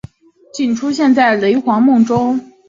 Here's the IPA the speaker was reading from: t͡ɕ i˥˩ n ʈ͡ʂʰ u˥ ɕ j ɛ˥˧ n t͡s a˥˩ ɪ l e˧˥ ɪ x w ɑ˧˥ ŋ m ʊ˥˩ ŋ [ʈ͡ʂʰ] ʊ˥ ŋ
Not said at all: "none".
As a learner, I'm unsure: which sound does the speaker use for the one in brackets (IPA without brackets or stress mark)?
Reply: ʈ͡ʂ